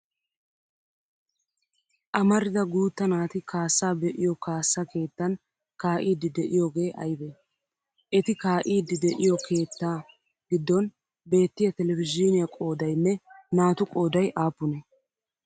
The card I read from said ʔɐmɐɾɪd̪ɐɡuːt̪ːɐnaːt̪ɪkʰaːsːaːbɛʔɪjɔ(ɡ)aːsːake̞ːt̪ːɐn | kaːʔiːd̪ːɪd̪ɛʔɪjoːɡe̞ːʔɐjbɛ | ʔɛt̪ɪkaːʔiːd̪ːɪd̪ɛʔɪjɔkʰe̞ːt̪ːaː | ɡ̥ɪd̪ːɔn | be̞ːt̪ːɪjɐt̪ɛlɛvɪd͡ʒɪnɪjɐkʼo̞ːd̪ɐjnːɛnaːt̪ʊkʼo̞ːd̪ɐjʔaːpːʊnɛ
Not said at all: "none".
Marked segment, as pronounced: k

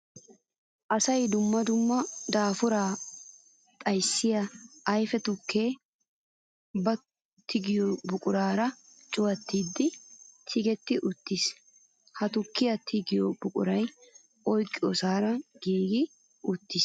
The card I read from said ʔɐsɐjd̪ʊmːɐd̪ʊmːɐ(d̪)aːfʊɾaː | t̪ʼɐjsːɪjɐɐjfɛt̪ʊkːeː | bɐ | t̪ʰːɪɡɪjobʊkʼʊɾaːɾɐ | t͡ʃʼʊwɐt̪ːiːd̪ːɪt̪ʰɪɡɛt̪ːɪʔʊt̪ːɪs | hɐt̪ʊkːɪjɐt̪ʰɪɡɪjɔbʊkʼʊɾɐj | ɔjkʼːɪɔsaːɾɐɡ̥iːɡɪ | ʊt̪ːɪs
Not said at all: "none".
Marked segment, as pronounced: d̪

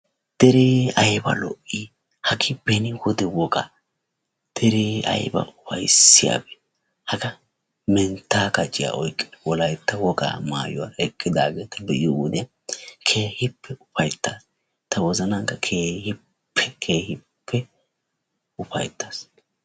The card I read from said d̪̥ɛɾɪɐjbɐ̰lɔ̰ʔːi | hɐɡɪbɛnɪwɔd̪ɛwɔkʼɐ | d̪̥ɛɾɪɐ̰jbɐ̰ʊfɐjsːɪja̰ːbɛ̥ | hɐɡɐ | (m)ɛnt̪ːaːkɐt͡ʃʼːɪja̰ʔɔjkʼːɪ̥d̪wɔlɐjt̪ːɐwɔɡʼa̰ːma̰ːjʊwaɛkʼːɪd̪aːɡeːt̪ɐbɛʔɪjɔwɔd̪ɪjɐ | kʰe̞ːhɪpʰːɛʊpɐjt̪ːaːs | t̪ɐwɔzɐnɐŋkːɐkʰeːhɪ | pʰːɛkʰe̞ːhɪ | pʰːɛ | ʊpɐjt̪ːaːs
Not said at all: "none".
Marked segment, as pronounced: m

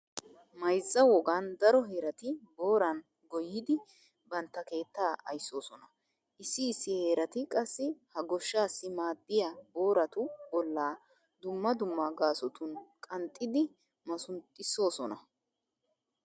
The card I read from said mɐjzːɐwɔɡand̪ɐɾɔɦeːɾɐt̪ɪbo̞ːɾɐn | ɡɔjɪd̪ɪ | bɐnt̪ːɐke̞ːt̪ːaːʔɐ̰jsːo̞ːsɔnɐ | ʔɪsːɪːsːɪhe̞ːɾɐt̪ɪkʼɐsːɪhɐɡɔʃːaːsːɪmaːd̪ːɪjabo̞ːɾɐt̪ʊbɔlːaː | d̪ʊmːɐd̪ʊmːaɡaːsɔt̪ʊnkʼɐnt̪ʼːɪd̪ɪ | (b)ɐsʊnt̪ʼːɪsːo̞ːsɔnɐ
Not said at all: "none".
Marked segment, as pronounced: m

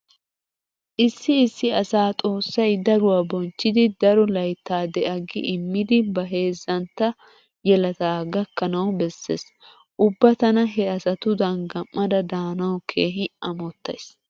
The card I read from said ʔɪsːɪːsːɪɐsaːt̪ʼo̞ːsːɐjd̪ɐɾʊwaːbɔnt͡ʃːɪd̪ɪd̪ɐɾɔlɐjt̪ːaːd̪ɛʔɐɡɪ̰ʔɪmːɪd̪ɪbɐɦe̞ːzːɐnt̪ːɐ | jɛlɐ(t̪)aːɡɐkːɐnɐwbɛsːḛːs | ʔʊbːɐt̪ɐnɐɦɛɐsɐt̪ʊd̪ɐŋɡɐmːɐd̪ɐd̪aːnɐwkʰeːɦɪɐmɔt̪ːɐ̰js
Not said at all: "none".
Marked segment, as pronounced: t̪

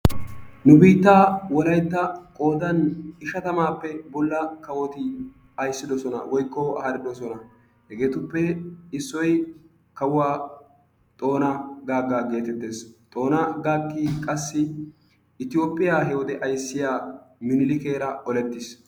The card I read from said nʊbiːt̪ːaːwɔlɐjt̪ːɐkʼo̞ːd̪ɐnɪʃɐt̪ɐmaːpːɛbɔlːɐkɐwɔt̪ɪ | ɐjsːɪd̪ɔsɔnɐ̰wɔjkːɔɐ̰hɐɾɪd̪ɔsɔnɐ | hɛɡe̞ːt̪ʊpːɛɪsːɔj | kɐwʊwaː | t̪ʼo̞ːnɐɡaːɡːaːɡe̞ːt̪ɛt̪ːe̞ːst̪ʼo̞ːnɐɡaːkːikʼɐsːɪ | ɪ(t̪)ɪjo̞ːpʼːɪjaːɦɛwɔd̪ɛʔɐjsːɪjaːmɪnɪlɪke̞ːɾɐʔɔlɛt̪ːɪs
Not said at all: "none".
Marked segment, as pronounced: t̪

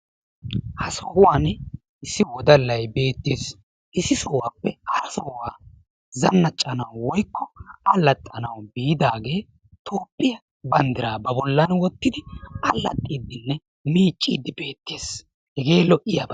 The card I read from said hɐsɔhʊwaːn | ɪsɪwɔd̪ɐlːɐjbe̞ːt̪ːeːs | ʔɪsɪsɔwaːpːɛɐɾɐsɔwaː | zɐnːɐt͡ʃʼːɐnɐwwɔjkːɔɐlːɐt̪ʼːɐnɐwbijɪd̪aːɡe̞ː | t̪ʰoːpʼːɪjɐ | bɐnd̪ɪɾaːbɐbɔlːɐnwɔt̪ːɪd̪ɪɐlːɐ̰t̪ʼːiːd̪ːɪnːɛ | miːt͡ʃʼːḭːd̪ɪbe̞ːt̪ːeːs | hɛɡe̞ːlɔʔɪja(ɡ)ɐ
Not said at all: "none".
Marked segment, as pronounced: b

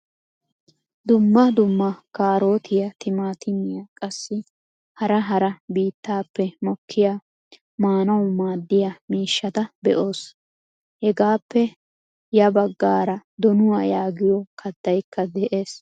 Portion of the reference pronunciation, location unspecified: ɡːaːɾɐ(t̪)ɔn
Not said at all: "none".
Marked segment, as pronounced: d̪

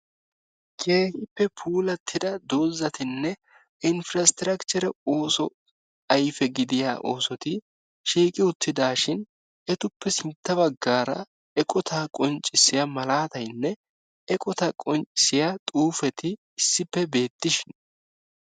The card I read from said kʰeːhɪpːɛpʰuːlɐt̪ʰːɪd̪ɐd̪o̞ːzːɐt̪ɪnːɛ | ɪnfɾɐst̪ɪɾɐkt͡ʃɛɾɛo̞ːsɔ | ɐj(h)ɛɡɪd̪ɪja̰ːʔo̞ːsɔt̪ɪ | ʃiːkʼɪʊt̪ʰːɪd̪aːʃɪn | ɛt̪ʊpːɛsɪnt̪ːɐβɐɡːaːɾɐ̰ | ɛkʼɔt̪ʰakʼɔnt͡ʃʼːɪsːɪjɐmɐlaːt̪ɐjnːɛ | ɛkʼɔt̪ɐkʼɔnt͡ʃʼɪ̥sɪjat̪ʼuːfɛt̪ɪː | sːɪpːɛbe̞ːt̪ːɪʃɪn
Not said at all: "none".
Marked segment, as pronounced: f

